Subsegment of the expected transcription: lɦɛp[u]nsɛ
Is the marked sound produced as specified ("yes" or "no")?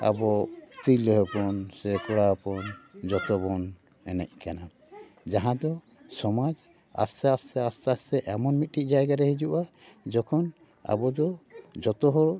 no